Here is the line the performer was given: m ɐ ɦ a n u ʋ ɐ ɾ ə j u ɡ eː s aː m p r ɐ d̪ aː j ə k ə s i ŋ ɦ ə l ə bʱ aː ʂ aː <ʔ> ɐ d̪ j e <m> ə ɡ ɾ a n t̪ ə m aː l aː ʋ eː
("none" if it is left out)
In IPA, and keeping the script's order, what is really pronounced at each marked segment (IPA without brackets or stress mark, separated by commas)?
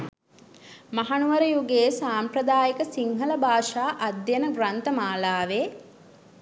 ʔ, n